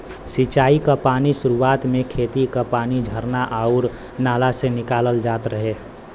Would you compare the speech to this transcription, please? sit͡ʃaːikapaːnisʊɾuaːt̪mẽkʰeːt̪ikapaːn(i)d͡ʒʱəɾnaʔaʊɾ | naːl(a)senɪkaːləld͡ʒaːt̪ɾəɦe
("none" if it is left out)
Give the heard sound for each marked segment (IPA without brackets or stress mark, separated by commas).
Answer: i, a